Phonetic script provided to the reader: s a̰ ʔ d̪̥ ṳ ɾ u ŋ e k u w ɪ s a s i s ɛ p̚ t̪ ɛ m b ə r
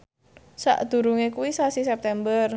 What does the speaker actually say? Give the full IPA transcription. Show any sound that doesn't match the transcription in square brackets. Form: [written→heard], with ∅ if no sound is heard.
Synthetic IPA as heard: s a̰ ʔ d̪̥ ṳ ɾ u ŋ e k u w [ɪ→i] s a s i s ɛ p̚ t̪ ɛ m b ə r